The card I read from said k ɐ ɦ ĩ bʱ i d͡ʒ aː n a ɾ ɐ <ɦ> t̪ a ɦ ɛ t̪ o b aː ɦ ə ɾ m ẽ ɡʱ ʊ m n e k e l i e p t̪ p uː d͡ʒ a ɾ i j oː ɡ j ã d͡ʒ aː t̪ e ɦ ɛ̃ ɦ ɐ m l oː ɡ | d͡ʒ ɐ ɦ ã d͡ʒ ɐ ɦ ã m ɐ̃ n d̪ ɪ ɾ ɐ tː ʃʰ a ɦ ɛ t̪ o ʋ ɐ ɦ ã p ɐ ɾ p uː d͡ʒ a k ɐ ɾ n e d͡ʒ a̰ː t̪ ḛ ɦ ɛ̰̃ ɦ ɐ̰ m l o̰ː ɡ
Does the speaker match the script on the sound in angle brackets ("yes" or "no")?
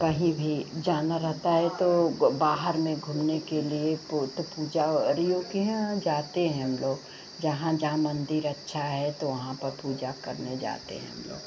yes